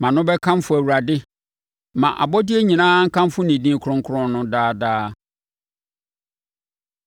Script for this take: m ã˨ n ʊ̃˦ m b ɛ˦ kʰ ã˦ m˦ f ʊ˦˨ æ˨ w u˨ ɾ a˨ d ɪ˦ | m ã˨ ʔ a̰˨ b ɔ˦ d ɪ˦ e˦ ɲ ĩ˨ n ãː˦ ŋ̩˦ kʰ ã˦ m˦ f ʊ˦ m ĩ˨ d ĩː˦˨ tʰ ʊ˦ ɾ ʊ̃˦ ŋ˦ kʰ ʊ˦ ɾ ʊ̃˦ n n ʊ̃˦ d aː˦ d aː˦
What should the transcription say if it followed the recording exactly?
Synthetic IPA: m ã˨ n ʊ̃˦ b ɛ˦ kʰ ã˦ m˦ f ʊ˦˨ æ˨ w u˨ ɾ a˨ d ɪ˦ | m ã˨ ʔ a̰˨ b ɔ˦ d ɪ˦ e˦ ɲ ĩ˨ n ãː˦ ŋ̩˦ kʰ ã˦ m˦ f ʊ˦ n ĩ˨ d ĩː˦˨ kʰ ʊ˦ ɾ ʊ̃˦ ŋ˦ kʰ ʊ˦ ɾ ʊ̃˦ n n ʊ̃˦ d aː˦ d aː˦